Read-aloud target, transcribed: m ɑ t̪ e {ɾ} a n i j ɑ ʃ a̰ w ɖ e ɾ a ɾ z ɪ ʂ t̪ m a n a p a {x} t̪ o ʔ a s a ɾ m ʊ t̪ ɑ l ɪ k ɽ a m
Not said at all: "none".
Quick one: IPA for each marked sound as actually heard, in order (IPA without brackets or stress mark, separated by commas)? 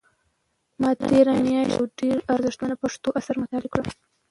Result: ɾ, ʂ